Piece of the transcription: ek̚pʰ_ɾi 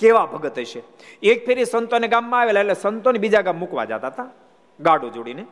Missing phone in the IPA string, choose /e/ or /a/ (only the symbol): e